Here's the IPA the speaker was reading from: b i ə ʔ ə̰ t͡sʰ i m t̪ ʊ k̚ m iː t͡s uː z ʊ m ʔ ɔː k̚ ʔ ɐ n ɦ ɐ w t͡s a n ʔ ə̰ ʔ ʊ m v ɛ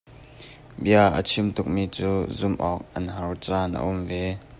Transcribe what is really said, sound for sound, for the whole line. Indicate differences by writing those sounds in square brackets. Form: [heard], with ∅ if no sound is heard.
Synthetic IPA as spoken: b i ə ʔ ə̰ t͡sʰ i m t̪ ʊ k̚ m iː t͡s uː z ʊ m ʔ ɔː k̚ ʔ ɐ n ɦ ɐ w t͡s a n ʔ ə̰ ʔ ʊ m v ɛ